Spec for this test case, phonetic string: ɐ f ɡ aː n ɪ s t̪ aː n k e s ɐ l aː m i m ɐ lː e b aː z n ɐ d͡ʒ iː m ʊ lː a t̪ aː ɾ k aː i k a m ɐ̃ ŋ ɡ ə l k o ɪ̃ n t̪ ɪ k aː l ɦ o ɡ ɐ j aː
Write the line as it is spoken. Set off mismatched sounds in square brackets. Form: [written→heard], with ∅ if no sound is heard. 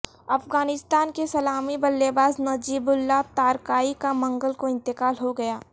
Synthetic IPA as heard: ɐ f ɡ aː n ɪ s t̪ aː n k e s ɐ l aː m i [m→b] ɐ lː e b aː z n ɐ d͡ʒ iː [m→b] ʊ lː a t̪ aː ɾ k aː i k a m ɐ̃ ŋ ɡ ə l k o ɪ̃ n t̪ ɪ k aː l ɦ o ɡ ɐ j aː

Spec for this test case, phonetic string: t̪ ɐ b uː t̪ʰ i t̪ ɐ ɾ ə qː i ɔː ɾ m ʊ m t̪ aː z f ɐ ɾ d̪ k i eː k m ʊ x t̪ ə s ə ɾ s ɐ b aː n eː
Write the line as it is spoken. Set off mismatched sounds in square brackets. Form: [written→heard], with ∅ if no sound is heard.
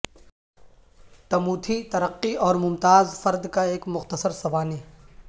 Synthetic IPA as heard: t̪ ɐ [b→m] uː t̪ʰ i t̪ ɐ ɾ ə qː i ɔː ɾ m ʊ m t̪ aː z f ɐ ɾ d̪ k [i→a] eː k m ʊ x t̪ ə s ə ɾ s ɐ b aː n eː

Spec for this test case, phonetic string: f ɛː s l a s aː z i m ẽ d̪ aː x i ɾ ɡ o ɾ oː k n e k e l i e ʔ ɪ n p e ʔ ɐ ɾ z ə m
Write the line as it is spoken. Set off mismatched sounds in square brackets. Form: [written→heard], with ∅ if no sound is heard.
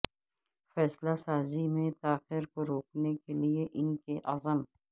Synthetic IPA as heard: f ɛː s l a s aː z i m ẽ [d̪→t̪] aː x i ɾ [ɡ→k] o ɾ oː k n e k e l i e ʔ ɪ n [p→k] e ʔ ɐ [ɾ→∅] z ə m

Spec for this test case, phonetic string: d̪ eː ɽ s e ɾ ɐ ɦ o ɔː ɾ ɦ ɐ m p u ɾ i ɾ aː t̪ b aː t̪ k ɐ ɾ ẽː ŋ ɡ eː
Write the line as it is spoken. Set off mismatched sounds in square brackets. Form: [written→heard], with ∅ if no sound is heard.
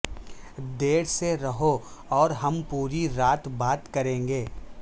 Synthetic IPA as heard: d̪ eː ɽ s e ɾ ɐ ɦ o ɔː ɾ ɦ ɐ m p [u→uː] ɾ i ɾ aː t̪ b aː t̪ k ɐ ɾ ẽː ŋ ɡ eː

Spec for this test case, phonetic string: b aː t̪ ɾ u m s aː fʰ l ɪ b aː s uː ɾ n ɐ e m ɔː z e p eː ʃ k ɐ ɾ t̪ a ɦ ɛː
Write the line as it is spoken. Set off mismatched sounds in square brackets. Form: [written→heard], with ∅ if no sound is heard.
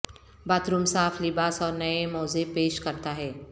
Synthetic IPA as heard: b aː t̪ ɾ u m s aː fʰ l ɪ b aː s [uː→ɔː] ɾ n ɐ e m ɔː z e p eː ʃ k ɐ ɾ t̪ a ɦ ɛː

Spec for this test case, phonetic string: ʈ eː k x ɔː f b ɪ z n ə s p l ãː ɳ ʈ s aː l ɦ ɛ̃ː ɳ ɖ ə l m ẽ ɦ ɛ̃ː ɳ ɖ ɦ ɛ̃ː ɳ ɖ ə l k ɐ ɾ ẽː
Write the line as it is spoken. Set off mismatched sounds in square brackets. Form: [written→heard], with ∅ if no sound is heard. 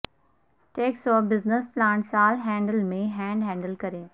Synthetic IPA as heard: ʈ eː k [x→s] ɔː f b ɪ z n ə s p l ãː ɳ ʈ s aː l ɦ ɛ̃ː ɳ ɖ ə l m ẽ ɦ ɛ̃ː ɳ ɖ ɦ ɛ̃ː ɳ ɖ ə l k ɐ ɾ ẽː

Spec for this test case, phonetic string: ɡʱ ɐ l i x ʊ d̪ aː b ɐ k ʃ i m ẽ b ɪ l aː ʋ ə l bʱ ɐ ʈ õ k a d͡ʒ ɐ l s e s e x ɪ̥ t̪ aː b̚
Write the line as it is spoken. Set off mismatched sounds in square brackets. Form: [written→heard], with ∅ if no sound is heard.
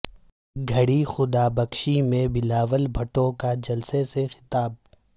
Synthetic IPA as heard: ɡʱ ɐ [l→ɽ] i x ʊ d̪ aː b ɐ k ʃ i m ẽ b ɪ l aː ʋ ə l bʱ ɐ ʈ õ k a d͡ʒ ɐ l s e s e x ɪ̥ t̪ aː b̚

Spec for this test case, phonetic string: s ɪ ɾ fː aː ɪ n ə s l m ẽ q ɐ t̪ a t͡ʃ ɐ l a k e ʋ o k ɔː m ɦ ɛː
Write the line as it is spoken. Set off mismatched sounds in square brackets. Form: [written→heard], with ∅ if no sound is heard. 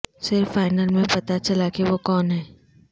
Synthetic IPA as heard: s ɪ ɾ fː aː ɪ n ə [s→∅] l m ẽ [q→p] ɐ t̪ a t͡ʃ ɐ l a k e ʋ o k ɔː [m→n] ɦ ɛː

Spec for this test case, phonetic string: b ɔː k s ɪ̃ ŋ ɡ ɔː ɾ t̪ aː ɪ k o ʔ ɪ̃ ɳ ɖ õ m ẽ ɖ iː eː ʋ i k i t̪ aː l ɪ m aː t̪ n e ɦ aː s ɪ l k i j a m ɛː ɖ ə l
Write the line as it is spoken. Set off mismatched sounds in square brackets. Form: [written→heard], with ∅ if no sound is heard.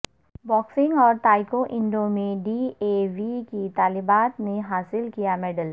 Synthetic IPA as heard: b ɔː k s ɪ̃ ŋ ɡ ɔː ɾ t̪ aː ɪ k o ʔ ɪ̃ ɳ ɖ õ m ẽ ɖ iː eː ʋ i k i t̪ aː l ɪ [m→b] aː t̪ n e ɦ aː s ɪ l k i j a m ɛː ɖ ə l

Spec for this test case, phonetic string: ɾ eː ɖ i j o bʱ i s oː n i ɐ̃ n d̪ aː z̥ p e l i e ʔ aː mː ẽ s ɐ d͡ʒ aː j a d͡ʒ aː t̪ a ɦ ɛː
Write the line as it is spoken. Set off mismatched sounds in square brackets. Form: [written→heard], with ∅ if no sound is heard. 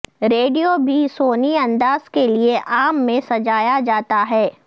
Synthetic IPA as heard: ɾ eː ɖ i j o bʱ i s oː n i ɐ̃ n d̪ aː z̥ [p→k] e l i e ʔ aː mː ẽ s ɐ d͡ʒ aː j a d͡ʒ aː t̪ a ɦ ɛː

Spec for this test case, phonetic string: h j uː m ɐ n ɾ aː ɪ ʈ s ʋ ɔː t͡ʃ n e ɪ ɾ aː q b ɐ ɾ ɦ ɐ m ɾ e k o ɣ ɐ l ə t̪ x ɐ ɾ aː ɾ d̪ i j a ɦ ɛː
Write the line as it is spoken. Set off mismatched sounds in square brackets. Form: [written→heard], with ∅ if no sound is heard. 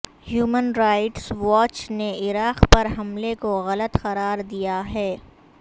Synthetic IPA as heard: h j uː m [ɐ→ə] n ɾ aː ɪ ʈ s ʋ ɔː t͡ʃ n e ɪ ɾ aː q [b→p] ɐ ɾ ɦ ɐ m [ɾ→l] e k o ɣ ɐ l ə t̪ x ɐ ɾ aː ɾ d̪ i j a ɦ ɛː

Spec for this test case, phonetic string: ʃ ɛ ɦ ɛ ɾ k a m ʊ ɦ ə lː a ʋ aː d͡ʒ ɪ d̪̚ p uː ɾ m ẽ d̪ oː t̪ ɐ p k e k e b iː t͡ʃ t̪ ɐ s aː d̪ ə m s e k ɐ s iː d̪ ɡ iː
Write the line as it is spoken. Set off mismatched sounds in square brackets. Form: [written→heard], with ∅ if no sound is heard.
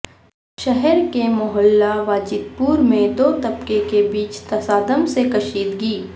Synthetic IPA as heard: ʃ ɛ ɦ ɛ ɾ k [a→e] m ʊ ɦ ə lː a ʋ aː d͡ʒ ɪ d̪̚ p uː ɾ m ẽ d̪ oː t̪ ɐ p k e k e b iː t͡ʃ t̪ ɐ s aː d̪ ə m s e k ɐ [s→ʃ] iː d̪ ɡ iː

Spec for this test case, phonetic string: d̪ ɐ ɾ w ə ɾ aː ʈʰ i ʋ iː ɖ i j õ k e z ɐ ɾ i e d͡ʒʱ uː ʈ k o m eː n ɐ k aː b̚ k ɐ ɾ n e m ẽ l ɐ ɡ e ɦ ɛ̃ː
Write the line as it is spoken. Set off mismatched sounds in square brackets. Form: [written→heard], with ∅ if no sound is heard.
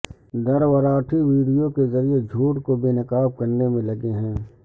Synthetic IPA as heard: d̪ ɐ ɾ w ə ɾ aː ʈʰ i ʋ iː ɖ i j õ k e z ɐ ɾ i e d͡ʒʱ uː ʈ k o [m→b] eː n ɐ k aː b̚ k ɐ ɾ n e m ẽ l ɐ ɡ e ɦ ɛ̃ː

